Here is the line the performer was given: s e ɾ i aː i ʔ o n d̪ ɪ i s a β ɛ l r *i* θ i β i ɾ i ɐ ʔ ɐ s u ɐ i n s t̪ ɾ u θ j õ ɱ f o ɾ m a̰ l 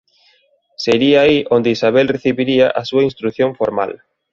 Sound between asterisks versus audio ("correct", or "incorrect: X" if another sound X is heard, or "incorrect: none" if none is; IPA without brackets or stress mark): incorrect: e